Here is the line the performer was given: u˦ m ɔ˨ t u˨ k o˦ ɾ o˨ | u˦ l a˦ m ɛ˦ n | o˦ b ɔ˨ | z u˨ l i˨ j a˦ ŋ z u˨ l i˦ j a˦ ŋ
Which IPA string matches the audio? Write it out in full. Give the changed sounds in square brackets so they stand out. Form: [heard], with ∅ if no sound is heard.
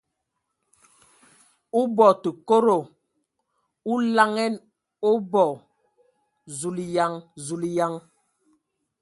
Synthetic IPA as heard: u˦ [b] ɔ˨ t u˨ k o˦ ɾ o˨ | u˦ l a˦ [ŋ] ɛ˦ n | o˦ b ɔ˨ | z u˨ l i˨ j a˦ ŋ z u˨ l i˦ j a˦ ŋ